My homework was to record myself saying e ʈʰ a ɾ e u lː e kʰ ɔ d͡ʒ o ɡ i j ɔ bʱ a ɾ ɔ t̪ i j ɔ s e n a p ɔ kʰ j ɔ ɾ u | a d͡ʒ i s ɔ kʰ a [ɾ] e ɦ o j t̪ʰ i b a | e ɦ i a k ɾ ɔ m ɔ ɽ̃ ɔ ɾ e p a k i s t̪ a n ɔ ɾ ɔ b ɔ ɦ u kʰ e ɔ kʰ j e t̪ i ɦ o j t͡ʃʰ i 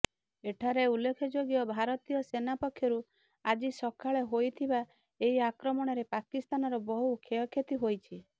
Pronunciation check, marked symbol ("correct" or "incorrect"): incorrect